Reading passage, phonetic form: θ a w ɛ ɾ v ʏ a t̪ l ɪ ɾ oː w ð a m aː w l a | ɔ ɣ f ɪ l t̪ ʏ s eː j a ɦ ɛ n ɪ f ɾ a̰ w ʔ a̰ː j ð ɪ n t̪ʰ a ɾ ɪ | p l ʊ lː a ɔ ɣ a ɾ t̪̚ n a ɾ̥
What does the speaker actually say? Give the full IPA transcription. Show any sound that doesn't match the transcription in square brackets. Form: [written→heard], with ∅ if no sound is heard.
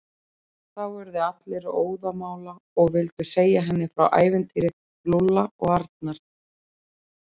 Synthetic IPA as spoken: θ a w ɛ ɾ [v→ð] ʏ a t̪ l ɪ ɾ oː w ð a m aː w l a | ɔ ɣ [f→v] ɪ l t̪ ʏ s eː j a ɦ ɛ [n→nː] ɪ f ɾ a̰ w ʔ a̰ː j [ð→v] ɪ n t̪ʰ [a→i] ɾ ɪ | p l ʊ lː a ɔ ɣ a ɾ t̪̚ n a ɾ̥